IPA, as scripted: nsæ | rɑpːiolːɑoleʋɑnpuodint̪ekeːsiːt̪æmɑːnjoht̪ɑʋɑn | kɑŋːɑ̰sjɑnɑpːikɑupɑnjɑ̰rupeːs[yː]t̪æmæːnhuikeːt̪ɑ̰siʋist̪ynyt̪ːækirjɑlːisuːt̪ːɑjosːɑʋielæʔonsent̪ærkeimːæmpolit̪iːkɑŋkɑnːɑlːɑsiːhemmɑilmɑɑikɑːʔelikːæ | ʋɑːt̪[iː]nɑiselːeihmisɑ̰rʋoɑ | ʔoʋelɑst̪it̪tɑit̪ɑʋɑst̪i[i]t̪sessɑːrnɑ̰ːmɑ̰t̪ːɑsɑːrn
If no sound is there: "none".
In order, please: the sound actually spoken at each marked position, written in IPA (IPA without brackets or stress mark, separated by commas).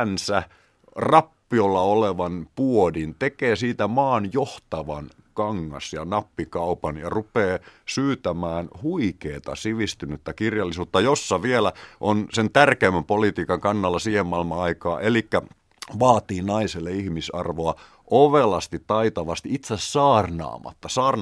yː, iː, i